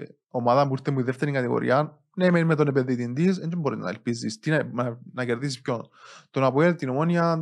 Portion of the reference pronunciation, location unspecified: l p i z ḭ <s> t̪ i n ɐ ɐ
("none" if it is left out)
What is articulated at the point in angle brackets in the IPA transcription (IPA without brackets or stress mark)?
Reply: s